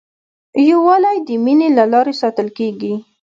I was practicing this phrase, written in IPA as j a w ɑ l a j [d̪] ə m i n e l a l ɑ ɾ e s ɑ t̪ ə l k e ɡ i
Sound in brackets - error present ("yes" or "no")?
no